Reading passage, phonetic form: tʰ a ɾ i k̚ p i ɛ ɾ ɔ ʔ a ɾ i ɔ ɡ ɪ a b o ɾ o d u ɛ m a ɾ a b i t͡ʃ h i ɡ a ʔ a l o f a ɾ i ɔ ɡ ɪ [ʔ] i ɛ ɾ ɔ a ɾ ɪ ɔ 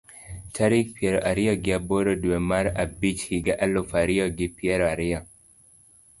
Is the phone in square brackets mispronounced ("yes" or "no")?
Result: yes